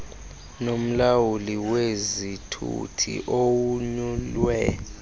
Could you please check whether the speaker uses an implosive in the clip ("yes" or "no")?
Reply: no